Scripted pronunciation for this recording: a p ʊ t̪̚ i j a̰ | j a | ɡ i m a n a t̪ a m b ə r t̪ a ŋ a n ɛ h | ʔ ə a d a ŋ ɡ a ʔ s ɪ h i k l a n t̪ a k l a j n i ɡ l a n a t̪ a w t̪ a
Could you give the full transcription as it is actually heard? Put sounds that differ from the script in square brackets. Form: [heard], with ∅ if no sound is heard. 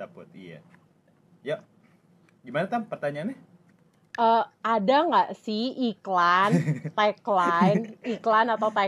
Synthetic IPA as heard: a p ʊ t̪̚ i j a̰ | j a | ɡ i m a n a t̪ a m [p] ə r t̪ a [ɲ] a n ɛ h | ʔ ə a d a ŋ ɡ a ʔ s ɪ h i k l a n t̪ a k l a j n i [k] l a n a t̪ a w t̪ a